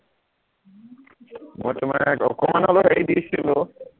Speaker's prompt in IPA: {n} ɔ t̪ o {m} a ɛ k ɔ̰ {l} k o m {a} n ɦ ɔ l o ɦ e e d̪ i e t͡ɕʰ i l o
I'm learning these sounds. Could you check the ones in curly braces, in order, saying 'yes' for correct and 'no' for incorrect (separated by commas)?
no, yes, no, yes